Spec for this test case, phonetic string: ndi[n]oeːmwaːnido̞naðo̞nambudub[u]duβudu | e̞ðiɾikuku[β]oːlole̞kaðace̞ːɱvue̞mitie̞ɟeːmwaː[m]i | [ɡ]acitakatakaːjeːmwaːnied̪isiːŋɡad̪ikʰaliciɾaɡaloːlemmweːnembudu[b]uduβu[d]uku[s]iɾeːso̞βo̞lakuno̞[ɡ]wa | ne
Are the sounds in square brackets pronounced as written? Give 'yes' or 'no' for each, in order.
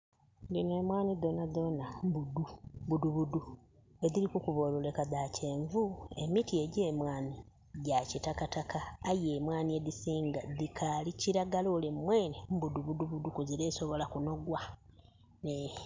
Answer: yes, yes, yes, no, no, no, yes, no, yes

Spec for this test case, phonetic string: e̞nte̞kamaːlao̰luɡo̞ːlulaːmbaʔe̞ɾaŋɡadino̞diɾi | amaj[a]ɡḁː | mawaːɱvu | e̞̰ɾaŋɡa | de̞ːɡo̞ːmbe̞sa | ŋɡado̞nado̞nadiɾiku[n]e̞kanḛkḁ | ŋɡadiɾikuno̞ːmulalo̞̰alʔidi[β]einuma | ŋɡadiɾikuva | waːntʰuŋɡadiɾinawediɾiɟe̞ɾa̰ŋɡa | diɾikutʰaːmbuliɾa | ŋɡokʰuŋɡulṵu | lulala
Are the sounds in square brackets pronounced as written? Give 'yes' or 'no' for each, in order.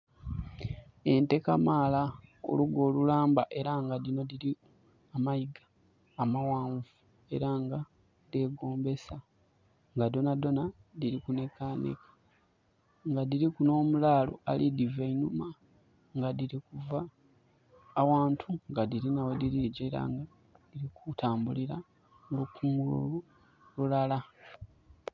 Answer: no, yes, no

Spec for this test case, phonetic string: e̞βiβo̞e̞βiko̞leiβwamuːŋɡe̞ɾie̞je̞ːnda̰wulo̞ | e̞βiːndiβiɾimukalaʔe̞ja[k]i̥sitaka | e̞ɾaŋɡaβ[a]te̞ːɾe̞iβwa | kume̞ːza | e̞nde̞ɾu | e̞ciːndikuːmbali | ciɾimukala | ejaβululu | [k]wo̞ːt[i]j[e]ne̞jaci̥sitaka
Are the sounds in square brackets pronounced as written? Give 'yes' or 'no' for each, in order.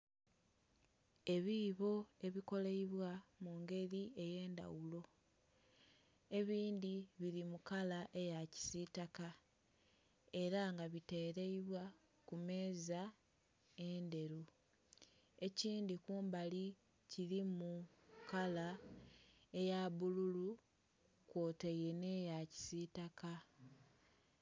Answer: no, no, yes, no, yes

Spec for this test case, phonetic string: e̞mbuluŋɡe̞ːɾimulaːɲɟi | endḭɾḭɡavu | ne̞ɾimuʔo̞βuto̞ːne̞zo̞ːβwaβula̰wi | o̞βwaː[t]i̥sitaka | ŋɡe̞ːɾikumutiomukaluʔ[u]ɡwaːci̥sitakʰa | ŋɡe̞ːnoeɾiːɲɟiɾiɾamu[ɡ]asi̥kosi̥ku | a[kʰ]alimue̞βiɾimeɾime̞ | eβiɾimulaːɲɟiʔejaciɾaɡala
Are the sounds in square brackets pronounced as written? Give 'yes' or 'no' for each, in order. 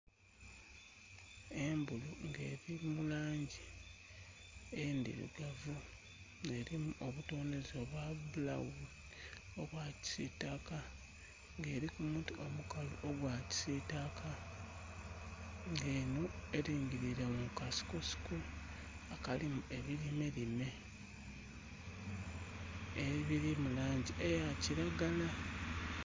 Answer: no, no, no, no

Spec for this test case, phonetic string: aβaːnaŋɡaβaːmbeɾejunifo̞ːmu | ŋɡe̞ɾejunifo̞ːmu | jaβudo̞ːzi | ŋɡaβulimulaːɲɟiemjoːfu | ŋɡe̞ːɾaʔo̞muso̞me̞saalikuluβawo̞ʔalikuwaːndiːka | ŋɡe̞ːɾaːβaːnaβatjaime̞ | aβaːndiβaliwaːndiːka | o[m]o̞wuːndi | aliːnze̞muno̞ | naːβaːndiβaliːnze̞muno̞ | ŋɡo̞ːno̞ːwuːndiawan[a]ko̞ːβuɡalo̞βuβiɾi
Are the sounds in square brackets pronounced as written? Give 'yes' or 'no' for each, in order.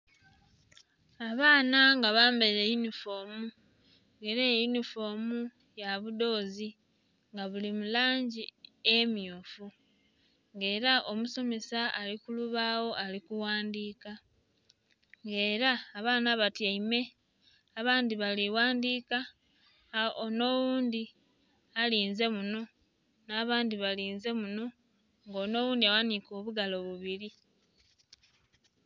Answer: no, no

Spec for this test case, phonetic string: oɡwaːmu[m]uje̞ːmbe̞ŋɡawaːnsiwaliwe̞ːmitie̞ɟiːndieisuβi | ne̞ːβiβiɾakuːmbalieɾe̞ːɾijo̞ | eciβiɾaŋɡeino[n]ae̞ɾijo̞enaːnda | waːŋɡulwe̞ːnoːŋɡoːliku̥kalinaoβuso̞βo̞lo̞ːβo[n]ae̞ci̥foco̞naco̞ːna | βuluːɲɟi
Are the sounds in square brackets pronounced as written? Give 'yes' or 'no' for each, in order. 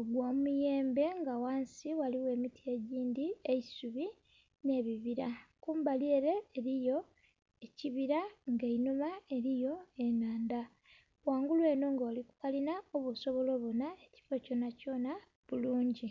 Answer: yes, no, yes

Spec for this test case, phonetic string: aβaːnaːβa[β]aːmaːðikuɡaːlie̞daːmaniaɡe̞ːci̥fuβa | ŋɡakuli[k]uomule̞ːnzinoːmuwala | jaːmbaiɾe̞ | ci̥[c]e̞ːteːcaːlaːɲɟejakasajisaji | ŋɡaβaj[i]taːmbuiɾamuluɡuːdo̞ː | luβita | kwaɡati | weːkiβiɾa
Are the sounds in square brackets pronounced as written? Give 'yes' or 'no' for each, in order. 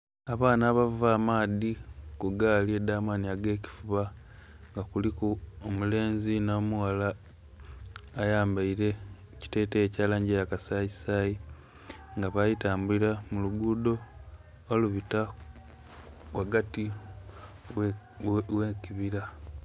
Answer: no, yes, no, yes

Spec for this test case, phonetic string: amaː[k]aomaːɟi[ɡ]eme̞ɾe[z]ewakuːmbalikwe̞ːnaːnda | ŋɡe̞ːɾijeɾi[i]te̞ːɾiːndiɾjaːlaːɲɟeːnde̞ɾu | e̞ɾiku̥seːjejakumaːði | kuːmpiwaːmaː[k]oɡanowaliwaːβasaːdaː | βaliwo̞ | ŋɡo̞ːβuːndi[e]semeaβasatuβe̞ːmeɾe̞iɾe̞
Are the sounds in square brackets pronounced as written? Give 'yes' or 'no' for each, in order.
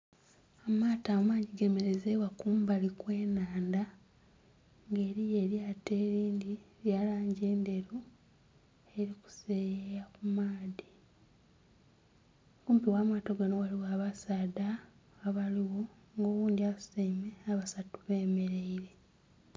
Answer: no, yes, yes, no, no, no

